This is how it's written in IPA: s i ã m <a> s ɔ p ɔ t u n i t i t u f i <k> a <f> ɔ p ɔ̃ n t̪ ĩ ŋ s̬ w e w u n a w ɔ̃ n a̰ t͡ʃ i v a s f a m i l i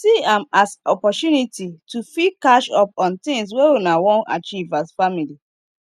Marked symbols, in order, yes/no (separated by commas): yes, yes, no